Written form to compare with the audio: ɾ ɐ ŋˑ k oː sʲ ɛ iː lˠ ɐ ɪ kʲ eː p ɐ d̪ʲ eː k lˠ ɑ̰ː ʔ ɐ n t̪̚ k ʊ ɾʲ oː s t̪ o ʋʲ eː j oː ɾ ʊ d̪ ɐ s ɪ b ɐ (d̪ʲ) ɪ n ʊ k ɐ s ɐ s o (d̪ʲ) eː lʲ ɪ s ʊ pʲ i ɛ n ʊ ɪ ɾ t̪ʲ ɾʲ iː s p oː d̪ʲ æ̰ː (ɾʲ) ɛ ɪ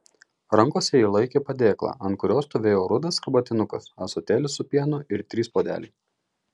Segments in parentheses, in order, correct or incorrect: incorrect: t̪ʲ, incorrect: t̪ʲ, incorrect: lʲ

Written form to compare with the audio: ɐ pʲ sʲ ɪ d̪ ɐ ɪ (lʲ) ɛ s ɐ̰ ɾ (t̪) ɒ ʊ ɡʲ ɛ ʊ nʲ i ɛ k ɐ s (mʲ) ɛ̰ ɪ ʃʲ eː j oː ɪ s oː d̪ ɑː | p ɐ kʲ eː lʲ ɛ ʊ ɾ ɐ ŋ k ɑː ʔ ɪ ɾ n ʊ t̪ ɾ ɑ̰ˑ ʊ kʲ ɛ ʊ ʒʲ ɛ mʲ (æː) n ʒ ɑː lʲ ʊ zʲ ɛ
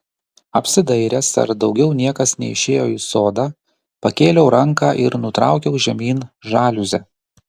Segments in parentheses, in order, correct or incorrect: incorrect: ɾʲ, incorrect: d̪, incorrect: nʲ, incorrect: iː

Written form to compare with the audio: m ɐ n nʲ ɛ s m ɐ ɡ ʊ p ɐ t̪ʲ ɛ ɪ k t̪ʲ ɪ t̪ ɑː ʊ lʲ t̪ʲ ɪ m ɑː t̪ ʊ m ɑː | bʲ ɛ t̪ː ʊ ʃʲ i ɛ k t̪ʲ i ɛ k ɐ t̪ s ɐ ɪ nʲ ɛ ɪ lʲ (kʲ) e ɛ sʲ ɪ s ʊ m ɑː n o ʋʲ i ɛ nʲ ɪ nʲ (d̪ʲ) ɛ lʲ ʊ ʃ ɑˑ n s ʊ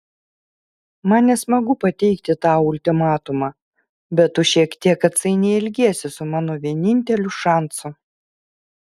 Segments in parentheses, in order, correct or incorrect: incorrect: ɡʲ, incorrect: t̪ʲ

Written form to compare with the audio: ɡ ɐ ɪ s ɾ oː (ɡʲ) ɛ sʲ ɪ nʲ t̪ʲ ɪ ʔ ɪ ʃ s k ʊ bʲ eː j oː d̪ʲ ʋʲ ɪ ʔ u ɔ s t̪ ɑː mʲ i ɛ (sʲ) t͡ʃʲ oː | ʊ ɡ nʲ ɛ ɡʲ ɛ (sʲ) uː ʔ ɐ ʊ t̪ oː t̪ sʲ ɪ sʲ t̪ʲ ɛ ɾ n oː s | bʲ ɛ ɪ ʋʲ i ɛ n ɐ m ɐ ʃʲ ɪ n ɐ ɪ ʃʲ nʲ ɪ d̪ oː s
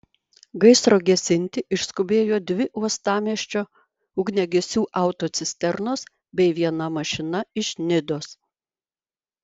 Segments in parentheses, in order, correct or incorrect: correct, incorrect: ʃʲ, correct

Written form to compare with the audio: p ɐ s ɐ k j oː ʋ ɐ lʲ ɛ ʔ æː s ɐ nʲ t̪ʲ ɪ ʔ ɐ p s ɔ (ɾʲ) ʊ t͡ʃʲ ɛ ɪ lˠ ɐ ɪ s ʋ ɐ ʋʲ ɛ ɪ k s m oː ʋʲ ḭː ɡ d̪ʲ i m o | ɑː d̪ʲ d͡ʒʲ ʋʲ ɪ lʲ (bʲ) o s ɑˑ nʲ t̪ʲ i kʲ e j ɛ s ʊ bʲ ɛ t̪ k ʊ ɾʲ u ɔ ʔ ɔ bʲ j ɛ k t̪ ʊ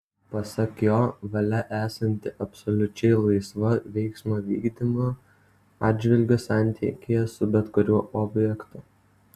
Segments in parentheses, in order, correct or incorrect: incorrect: lʲ, incorrect: ɡʲ

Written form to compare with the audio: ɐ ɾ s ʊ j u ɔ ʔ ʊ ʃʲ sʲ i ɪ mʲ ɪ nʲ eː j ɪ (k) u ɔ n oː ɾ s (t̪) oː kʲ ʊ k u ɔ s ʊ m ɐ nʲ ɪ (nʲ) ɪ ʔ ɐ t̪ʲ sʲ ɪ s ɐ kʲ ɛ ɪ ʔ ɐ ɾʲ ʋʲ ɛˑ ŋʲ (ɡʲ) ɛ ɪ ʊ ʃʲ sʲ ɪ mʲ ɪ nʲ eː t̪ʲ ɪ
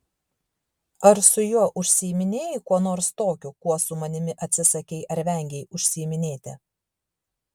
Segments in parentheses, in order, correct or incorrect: correct, correct, incorrect: mʲ, correct

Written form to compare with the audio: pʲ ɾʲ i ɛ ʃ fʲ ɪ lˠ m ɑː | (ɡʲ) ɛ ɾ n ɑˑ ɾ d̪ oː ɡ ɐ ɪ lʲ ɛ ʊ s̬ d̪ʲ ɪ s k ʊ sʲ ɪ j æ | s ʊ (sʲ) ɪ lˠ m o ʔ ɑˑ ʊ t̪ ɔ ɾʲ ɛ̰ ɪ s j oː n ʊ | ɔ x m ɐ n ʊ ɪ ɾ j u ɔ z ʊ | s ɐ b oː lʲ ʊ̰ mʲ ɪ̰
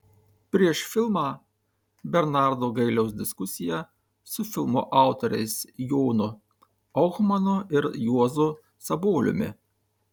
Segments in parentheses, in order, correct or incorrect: incorrect: bʲ, incorrect: fʲ

